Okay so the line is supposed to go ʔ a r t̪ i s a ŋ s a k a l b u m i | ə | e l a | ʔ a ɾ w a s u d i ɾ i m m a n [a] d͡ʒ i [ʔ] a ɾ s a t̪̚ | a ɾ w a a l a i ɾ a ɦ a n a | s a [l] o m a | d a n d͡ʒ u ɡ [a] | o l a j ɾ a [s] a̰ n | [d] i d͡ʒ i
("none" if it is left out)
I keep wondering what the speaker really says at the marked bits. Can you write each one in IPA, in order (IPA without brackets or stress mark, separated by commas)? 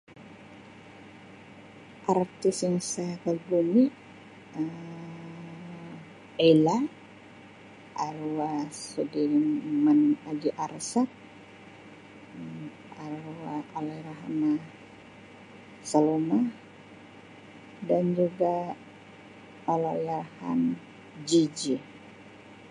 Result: a, ʔ, l, a, h, d͡ʒ